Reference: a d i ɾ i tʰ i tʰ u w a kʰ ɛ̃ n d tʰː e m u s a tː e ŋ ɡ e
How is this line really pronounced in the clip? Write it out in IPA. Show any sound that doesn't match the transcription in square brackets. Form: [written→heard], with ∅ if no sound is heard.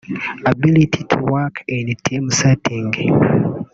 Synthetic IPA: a [d→b] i [ɾ→l] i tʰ i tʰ u w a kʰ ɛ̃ n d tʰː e m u s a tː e ŋ ɡ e

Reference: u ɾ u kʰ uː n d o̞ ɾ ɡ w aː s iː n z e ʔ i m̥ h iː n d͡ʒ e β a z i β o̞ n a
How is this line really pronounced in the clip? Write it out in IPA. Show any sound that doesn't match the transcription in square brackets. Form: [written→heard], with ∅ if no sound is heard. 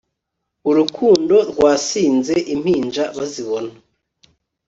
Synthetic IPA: u ɾ u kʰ uː n d o̞ ɾ ɡ w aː s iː n z e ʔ i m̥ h iː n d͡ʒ [e→a] β a z i β o̞ n a

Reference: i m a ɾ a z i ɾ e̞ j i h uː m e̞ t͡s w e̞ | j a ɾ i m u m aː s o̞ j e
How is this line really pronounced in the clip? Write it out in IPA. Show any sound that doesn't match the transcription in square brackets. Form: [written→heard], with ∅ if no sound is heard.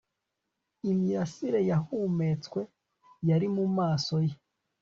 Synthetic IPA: i m [a→i] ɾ a [z→s] i ɾ e̞ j [i→a] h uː m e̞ t͡s w e̞ | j a ɾ i m u m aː s o̞ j e

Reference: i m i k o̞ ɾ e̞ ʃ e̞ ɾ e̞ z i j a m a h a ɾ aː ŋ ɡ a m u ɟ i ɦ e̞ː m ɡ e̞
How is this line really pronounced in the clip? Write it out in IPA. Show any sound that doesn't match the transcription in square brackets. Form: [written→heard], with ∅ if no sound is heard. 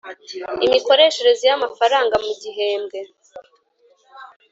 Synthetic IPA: i m i k o̞ ɾ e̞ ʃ e̞ ɾ e̞ z i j a m a [h→f] a ɾ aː ŋ ɡ a m u ɟ i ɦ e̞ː m ɡ e̞

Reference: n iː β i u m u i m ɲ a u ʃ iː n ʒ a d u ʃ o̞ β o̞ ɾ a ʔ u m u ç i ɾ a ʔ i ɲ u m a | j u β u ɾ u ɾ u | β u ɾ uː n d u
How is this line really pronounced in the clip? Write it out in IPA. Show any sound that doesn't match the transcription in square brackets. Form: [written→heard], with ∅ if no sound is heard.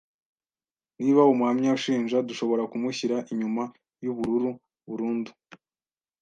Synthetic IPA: n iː β [i→a] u m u [i→a] m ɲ a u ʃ iː n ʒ a d u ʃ o̞ β o̞ ɾ a [ʔ→k] u m u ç i ɾ a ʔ i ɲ u m a | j u β u ɾ u ɾ u | β u ɾ uː n d u

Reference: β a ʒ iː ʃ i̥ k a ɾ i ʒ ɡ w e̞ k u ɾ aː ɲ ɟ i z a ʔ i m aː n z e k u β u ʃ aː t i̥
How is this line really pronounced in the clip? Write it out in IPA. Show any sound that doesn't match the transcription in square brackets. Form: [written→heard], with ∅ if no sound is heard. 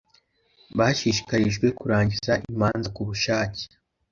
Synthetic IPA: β a [ʒ→ʃ] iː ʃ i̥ k a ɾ i ʒ ɡ w e̞ k u ɾ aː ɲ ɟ i z a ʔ i m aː n z [e→a] k u β u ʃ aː [t→c] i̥

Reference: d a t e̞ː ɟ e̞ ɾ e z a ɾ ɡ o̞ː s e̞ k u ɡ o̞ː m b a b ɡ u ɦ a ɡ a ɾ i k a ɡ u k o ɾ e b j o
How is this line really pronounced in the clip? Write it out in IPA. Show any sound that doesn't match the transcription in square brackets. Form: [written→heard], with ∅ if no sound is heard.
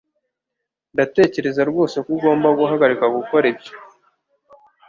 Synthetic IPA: d a t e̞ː [ɟ→c] e̞ ɾ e z a ɾ ɡ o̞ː s e̞ k u ɡ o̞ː m b a [b→∅] ɡ u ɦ a ɡ a ɾ i k a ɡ u k o ɾ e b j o

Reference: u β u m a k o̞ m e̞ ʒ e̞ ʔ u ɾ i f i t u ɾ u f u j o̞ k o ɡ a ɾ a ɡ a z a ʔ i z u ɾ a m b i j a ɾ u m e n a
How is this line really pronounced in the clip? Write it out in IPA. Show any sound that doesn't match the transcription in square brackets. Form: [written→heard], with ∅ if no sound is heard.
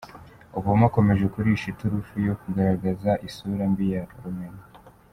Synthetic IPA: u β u m a k o̞ m e̞ ʒ e̞ [ʔ→k] u ɾ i [f→ʃ] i t u ɾ u f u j o̞ k [o→u] ɡ a ɾ a ɡ a z a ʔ i [z→s] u ɾ a m b i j a ɾ u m e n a

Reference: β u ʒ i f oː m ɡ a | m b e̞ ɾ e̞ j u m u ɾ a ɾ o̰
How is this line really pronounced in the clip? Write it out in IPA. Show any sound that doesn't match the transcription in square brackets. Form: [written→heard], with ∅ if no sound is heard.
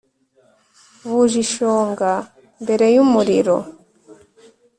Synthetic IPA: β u ʒ i [f→ʃ] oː [m→ŋ] ɡ a | m b e̞ ɾ e̞ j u m u ɾ [a→i] ɾ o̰

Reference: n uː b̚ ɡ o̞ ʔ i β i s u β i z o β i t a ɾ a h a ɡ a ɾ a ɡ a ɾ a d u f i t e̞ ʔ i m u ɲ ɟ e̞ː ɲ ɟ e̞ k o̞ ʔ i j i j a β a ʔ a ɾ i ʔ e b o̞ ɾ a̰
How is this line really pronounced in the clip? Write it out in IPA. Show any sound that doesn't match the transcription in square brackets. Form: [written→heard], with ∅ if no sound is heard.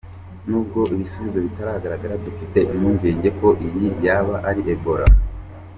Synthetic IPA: n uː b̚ ɡ o̞ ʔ i β i s u β i z o β i t a ɾ a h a ɡ a ɾ a ɡ a ɾ a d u f i t e̞ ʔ i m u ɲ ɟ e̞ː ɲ ɟ e̞ k o̞ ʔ i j i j a β a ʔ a ɾ i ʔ e b o̞ ɾ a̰

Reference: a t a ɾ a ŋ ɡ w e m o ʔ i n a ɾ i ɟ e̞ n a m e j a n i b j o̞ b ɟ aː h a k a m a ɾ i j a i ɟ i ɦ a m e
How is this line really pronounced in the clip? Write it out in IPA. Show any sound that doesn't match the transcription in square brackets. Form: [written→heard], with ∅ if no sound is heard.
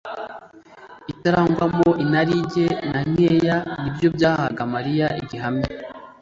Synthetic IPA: [a→i] t a ɾ a ŋ ɡ w [e→a] m o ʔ i n a ɾ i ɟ e̞ n a [m→ɲ] e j a n i b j o̞ b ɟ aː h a [k→ɡ] a m a ɾ i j a i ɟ i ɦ a m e

